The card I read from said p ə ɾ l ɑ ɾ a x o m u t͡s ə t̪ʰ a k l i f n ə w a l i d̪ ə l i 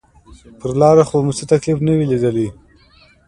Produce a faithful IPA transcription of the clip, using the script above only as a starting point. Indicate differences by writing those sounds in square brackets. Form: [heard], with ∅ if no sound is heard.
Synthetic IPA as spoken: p ə ɾ l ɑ ɾ a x o m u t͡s ə [t̪] a k l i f n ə w [i] l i d̪ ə l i